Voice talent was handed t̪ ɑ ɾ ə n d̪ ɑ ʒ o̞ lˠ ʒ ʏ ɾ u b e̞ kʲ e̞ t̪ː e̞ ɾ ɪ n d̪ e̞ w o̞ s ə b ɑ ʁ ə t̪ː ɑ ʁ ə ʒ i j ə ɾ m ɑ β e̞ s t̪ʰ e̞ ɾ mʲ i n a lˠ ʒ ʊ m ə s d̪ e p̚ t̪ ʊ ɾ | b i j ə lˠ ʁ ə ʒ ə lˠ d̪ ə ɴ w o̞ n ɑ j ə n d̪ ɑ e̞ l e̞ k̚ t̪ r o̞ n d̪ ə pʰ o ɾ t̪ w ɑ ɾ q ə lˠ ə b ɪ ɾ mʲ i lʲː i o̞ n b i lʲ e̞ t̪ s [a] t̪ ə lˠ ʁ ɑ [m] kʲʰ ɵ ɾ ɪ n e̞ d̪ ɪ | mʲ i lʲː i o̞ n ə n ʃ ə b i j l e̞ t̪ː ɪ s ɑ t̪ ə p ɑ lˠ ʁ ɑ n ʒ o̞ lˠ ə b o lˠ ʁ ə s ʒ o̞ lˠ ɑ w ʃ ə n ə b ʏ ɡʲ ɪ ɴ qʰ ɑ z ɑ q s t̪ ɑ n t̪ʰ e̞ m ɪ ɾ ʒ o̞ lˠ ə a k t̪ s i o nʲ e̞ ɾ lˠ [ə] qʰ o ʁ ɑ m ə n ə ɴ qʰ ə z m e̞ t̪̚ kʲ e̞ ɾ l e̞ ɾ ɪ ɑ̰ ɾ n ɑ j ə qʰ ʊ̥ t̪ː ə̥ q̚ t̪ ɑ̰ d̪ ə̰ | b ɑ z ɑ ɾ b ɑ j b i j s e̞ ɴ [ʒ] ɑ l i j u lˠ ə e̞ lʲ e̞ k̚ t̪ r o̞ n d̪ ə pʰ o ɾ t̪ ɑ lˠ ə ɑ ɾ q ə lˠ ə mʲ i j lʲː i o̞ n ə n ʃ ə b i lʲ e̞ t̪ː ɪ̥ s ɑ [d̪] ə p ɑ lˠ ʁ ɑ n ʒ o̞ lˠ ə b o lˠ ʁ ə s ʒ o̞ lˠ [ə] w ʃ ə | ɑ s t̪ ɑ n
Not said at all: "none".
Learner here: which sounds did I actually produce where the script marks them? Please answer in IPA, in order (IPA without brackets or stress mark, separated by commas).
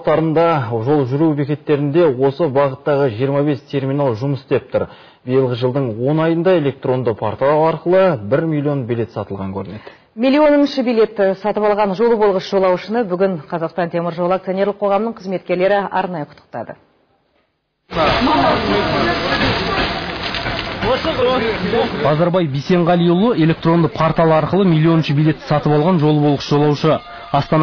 ɑ, ŋ, ə, ʁ, t̪, ɑ